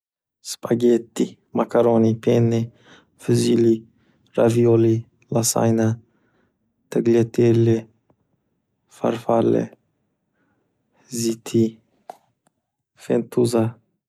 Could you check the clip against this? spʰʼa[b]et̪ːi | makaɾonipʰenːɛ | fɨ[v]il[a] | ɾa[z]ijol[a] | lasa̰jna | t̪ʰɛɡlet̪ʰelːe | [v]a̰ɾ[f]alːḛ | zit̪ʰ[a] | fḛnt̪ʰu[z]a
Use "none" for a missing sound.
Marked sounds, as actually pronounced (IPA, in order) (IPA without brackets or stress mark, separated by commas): ɡ, z, i, v, i, f, f, i, z